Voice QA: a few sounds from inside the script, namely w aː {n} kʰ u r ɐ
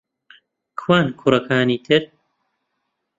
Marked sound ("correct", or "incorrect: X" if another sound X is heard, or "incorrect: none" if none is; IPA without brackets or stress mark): correct